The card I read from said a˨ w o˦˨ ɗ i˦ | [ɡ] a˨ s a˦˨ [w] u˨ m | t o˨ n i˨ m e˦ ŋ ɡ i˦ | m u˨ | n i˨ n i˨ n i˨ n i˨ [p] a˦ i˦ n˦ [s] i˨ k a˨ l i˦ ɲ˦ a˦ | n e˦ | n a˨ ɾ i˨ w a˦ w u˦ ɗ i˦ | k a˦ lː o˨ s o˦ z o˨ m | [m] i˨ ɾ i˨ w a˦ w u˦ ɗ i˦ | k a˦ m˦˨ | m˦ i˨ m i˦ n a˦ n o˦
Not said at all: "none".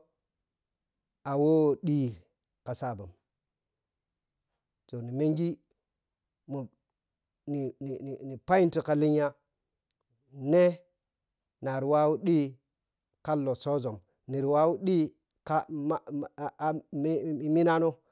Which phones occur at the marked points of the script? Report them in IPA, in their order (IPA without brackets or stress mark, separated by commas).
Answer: k, b, p, t, n